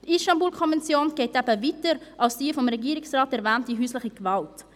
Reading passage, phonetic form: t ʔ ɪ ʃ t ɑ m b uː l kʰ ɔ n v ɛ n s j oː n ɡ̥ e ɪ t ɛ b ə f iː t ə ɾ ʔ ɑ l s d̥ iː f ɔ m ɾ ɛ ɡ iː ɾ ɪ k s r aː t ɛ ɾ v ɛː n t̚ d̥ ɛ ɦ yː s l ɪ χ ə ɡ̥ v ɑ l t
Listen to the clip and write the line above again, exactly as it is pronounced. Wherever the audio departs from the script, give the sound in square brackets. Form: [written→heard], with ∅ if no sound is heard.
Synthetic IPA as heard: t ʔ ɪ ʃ t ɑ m b uː l kʰ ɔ n v ɛ n [s→t͡s] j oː n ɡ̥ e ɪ t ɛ b ə [f→v] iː t ə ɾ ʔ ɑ l s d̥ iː f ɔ m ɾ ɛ ɡ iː ɾ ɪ k s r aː t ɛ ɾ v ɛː n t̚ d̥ [ɛ→i] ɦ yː s l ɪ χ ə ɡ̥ v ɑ l t

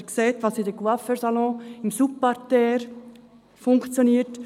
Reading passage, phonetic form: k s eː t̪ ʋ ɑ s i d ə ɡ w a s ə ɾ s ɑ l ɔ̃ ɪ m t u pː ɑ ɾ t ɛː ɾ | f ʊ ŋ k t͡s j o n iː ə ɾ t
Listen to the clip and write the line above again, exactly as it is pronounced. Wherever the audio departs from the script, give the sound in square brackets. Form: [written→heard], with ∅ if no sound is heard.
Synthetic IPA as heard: k s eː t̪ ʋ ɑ s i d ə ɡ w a [s→f] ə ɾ s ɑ l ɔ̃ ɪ m [t→s] u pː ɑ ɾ t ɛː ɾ | f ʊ ŋ k t͡s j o n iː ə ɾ t

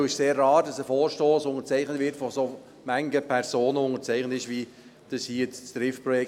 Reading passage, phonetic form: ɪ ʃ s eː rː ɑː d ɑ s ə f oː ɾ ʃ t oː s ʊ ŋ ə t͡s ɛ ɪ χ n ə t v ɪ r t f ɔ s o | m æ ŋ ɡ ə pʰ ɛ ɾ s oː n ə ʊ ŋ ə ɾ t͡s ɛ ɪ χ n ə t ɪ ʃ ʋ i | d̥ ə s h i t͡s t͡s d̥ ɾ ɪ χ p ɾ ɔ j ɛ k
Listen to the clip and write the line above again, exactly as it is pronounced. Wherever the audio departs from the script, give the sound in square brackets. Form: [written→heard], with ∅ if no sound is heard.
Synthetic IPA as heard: ɪ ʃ s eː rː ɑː d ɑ s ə f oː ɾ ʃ t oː s ʊ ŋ ə t͡s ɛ ɪ χ n ə t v ɪ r t f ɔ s o | m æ ŋ ɡ ə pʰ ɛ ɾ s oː n ə ʊ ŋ ə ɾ t͡s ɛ ɪ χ n ə t ɪ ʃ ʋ i | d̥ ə s h i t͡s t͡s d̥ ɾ ɪ [χ→f] p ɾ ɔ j ɛ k

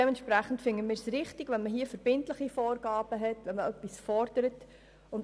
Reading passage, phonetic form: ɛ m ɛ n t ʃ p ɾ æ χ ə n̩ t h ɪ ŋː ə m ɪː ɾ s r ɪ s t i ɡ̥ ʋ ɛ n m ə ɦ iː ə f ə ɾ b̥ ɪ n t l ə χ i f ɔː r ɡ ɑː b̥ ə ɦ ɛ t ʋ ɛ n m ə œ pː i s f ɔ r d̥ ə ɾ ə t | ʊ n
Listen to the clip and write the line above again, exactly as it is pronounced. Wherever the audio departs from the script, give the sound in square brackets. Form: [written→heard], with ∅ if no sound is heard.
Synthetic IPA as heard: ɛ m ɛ n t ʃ p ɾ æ χ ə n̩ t [h→f] ɪ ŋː ə m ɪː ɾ s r ɪ [s→χ] t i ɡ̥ ʋ ɛ n m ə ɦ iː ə f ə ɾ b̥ ɪ n t l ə χ i f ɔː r ɡ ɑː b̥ ə ɦ ɛ t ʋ ɛ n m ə œ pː i s f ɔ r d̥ ə ɾ ə t | ʊ n

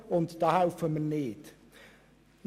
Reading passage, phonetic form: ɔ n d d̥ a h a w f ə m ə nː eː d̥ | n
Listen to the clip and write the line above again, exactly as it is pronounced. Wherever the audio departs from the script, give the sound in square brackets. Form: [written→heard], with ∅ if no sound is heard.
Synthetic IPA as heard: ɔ n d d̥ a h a w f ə m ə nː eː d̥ | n

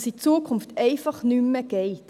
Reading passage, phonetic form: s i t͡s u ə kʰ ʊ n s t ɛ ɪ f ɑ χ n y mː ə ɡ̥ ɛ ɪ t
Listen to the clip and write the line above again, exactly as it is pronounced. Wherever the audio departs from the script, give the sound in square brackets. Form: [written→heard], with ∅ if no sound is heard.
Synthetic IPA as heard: s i t͡s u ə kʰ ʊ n [s→f] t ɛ ɪ f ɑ χ n y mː ə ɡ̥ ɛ ɪ t

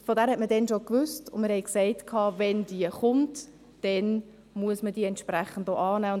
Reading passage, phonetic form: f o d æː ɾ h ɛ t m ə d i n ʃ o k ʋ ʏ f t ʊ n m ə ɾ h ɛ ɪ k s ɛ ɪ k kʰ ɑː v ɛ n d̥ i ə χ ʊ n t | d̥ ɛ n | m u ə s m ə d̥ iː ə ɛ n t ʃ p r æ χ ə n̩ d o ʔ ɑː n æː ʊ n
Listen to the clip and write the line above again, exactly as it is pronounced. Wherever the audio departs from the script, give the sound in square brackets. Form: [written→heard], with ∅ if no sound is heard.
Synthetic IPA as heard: f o d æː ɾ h ɛ t m ə d [i→ɛ] n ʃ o k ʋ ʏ [f→s] t ʊ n m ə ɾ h ɛ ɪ k s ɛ ɪ [k→t] kʰ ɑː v ɛ n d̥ i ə χ ʊ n t | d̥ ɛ n | m u ə s m ə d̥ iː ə ɛ n t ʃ p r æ χ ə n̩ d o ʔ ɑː n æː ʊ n

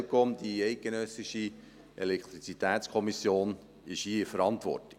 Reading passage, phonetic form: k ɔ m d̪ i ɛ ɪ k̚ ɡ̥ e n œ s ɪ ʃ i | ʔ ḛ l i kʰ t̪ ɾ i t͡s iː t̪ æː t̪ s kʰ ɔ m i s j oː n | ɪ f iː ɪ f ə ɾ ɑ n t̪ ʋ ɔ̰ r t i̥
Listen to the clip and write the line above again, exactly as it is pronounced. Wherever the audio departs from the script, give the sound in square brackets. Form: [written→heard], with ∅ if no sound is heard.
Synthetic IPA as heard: k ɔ m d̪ i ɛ ɪ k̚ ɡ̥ e n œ s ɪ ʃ i | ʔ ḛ l [i→ɛ] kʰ t̪ ɾ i t͡s [iː→i] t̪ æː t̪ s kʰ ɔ m i s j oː n | ɪ [f→ʃ] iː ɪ f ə ɾ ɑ n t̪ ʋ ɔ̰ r t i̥

